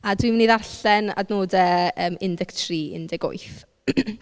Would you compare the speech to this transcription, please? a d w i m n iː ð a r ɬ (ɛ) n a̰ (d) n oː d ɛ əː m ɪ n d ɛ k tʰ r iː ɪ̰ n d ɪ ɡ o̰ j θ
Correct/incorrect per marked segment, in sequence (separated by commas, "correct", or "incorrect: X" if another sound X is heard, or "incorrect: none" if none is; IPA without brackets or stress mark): correct, correct